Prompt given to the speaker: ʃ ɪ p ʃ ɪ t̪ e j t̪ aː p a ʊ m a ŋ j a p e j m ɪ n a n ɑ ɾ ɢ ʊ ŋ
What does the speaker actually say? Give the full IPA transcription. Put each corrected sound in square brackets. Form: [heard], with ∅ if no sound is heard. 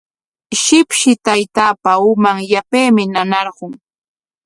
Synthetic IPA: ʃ ɪ p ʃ ɪ t̪ [a] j t̪ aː p a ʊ m a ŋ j a p e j m ɪ n a n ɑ ɾ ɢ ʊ ŋ